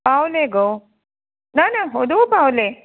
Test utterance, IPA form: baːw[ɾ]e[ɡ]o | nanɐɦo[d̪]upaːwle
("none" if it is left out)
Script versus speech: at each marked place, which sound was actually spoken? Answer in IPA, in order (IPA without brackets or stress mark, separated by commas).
l, ɡ, d̪